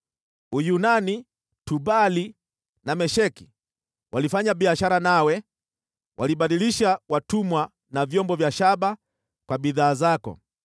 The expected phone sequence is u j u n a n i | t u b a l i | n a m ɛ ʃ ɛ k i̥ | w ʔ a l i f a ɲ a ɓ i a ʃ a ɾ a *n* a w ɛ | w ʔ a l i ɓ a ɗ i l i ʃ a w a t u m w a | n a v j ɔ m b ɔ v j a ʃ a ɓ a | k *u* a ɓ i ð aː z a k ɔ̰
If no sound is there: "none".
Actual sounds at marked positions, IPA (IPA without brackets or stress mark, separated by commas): n, w